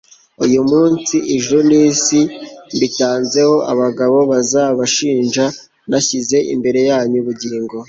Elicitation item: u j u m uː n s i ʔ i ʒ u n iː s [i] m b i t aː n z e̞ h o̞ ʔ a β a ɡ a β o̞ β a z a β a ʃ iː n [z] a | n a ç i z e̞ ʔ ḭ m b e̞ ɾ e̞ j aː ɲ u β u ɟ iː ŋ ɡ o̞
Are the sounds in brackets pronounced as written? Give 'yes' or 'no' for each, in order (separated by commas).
yes, no